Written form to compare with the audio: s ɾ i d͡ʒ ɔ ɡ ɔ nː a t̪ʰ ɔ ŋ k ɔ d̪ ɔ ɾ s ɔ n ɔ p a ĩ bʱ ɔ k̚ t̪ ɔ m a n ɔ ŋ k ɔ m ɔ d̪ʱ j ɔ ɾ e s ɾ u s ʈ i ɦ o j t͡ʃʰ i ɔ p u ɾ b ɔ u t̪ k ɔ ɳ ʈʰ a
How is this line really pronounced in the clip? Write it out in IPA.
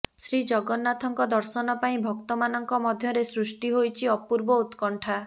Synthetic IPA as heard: s ɾ i d͡ʒ ɔ ɡ ɔ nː a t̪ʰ ɔ ŋ k ɔ d̪ ɔ ɾ s ɔ n ɔ p a ĩ bʱ ɔ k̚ t̪ ɔ m a n ɔ ŋ k ɔ m ɔ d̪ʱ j ɔ ɾ e s ɾ u s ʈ i ɦ o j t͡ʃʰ i ɔ p u ɾ b ɔ u t̪ k ɔ ɳ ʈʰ a